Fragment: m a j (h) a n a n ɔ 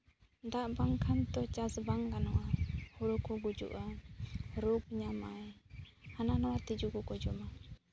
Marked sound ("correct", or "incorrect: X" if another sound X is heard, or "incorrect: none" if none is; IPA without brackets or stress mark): correct